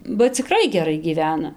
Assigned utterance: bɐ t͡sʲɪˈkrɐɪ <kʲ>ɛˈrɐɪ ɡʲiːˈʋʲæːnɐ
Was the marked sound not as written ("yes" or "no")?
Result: yes